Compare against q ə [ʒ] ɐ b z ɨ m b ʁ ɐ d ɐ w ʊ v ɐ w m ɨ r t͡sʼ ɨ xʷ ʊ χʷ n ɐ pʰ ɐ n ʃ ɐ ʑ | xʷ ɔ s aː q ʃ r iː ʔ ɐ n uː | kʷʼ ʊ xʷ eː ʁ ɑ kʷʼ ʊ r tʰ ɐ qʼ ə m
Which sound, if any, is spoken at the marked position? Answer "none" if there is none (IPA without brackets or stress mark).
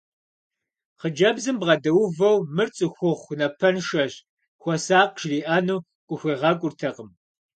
d͡ʒ